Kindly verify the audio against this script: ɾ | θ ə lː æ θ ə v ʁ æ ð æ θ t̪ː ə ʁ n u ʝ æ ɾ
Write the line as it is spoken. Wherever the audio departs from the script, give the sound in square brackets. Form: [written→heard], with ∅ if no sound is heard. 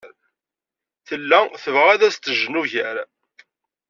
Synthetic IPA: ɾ | θ ə lː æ θ ə v ʁ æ ð æ [θ→s] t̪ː ə [ʁ→ʒ] n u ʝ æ ɾ